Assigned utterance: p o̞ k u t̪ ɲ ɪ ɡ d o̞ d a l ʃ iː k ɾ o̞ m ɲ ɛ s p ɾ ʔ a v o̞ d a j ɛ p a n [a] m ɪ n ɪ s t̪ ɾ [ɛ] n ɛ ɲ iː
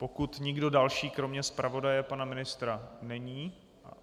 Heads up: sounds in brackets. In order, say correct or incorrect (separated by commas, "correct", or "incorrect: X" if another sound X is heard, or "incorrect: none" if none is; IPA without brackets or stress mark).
correct, incorrect: a